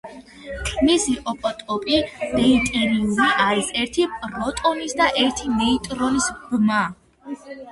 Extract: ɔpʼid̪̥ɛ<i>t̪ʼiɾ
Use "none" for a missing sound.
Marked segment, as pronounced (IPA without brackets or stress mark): i